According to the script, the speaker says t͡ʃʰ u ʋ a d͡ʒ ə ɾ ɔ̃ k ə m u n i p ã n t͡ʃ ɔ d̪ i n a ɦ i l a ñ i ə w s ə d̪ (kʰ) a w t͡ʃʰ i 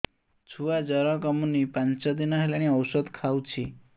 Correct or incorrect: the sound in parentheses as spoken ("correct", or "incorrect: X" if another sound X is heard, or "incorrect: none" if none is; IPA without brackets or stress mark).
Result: correct